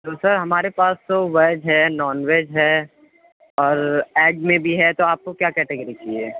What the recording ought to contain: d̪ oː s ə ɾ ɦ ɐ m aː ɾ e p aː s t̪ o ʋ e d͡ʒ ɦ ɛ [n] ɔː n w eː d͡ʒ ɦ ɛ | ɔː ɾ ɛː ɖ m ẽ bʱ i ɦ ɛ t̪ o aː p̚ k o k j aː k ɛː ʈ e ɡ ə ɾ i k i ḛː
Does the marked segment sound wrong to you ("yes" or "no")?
no